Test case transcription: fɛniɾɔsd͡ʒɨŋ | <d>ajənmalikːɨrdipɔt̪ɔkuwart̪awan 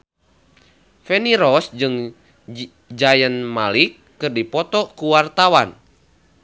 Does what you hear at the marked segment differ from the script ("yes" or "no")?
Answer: yes